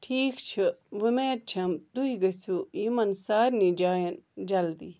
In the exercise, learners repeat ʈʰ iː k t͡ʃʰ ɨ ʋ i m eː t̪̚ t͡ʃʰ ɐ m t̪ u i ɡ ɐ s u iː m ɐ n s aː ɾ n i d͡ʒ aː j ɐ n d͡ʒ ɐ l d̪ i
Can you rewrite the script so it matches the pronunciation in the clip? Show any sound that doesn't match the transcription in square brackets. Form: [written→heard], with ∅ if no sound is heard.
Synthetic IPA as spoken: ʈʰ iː k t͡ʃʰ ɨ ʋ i m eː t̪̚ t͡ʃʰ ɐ m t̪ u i ɡ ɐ s u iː m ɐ n s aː ɾ n i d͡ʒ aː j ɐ n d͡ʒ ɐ l d̪ i